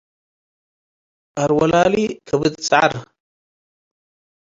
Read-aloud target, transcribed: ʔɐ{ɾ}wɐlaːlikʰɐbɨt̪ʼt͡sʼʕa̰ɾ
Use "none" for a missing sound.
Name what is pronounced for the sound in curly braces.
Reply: ɾ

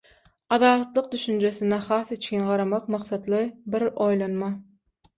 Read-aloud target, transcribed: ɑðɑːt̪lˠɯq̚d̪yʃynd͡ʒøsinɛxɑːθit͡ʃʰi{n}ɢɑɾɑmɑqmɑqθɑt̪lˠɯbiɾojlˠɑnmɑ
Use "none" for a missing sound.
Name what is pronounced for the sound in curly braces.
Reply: n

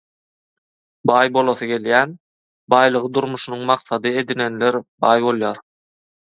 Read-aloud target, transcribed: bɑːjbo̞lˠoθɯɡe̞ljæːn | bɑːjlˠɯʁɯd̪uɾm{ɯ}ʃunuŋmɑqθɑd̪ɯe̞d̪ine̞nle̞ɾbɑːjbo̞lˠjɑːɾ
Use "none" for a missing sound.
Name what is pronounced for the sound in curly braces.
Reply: u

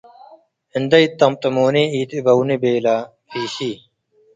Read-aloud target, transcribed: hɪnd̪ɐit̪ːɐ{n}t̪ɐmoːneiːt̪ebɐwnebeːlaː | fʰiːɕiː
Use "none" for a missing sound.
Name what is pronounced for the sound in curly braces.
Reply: m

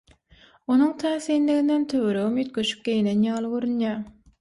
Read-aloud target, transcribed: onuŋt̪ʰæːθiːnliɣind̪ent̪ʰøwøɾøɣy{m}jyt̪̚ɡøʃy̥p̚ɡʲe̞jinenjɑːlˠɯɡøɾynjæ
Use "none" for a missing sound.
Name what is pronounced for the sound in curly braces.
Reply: m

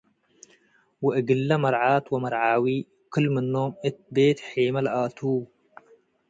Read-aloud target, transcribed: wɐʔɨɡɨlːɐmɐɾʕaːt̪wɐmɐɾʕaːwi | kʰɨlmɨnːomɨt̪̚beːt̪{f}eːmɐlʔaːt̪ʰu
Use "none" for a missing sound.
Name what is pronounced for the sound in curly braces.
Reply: ħ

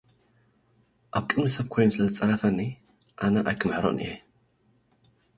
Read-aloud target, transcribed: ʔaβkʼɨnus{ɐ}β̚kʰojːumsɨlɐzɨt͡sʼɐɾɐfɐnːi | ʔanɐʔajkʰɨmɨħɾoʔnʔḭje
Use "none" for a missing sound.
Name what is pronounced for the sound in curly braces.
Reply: ɐ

